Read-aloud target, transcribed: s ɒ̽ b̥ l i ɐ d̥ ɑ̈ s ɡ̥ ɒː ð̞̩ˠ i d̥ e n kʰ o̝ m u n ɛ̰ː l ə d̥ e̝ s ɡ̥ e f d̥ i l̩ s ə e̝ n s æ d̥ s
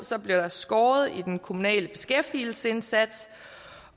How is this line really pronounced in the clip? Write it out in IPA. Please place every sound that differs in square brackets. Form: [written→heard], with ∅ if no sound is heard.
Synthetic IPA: s ɒ̽ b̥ l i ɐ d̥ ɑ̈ s ɡ̥ ɒː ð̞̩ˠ i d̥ e n kʰ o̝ m u n ɛ̰ː l ə [d̥→b̥] e̝ s ɡ̥ e f d̥ i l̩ s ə e̝ n s æ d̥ s